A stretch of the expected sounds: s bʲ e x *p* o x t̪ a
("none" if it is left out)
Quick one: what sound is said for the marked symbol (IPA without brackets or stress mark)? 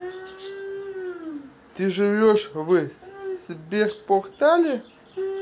p